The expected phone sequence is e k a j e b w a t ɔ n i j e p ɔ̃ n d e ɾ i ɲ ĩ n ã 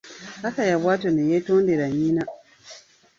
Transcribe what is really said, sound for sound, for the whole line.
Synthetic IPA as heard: a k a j a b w a t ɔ n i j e t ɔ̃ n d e ɾ a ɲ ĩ n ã